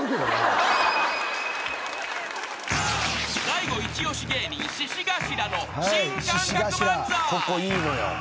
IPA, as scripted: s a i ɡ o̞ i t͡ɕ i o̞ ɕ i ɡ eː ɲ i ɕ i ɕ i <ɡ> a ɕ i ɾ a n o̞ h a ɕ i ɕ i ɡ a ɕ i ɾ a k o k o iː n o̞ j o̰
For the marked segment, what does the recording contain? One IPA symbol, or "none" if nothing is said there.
ɡ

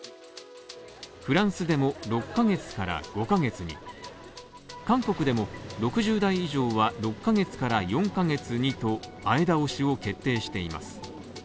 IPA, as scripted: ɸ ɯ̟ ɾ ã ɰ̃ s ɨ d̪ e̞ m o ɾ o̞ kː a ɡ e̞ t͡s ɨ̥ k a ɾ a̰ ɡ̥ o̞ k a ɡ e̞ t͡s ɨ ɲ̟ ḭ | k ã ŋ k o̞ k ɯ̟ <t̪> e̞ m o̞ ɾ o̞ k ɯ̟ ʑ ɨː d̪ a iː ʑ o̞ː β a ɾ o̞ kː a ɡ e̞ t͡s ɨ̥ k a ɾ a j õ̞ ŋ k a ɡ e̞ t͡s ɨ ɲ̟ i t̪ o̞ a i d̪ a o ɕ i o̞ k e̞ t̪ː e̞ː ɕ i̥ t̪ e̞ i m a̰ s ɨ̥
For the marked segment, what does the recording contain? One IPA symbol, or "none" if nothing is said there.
d̪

